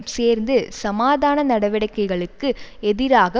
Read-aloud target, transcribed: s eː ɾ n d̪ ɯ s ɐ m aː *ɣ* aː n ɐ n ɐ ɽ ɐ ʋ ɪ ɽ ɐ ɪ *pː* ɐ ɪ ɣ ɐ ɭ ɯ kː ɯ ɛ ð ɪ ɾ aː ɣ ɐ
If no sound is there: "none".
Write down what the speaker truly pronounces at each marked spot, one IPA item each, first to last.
ð, kː

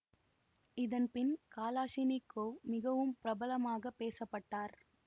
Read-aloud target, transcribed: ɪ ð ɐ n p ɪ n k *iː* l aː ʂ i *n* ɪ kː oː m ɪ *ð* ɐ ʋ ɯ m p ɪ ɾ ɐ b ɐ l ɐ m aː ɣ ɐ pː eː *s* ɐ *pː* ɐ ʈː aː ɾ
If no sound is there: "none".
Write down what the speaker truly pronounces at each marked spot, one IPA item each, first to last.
aː, n, ɣ, s, pː

